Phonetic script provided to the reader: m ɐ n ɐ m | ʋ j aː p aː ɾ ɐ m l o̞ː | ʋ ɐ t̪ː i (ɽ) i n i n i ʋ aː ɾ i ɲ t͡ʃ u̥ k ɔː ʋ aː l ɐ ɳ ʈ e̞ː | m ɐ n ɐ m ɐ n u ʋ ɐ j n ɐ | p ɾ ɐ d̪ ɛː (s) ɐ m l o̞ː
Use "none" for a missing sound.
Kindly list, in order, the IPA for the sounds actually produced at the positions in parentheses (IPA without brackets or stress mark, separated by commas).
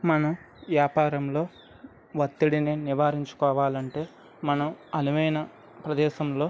ɽ, ʃ